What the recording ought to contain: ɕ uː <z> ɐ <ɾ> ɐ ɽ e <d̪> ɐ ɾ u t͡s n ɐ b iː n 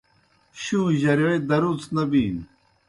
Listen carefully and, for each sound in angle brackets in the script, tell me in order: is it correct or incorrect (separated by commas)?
incorrect, correct, correct